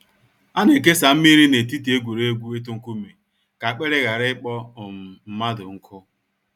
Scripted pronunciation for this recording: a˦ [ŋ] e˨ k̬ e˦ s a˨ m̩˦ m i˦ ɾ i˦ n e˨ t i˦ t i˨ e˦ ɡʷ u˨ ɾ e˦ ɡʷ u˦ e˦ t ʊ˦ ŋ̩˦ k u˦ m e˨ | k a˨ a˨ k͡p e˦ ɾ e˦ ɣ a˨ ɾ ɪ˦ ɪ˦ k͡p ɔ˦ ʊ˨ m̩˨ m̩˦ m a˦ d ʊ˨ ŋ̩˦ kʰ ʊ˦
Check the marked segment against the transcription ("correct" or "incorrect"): incorrect